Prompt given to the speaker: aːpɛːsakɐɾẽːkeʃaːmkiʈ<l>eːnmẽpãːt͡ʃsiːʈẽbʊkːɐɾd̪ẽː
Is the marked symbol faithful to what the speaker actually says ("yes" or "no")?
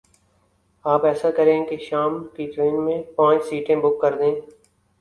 no